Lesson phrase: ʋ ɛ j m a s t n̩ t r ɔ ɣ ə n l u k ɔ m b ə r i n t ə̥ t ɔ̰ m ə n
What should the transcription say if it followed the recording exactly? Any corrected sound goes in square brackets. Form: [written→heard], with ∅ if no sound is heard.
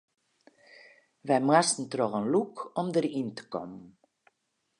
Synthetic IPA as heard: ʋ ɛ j m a s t n̩ t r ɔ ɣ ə n l u k ɔ m [b→d] ə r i n t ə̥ [t→k] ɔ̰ m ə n